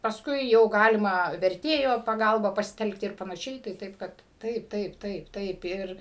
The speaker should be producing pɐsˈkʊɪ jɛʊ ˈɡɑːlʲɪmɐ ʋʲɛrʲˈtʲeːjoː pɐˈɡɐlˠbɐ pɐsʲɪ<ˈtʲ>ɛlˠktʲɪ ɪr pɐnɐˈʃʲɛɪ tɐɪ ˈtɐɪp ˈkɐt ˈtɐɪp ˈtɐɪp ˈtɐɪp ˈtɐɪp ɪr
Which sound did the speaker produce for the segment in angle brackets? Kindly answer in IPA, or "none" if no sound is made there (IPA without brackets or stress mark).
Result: tʲ